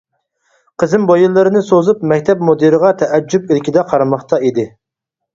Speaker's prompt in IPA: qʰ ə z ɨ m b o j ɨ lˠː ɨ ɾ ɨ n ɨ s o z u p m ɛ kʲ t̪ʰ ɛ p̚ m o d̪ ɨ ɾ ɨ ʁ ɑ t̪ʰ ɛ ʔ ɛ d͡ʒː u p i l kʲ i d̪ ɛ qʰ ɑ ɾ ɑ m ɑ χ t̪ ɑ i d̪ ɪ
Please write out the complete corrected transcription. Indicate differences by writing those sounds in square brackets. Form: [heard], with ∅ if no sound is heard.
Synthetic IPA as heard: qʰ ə z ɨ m b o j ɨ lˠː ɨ ɾ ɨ n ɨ s o z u p m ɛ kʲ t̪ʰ ɛ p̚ m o d̪ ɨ ɾ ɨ ʁ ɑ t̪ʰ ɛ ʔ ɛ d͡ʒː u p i l kʲ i d̪ ɛ qʰ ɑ ɾ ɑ m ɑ χ t̪ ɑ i d̪ ɪ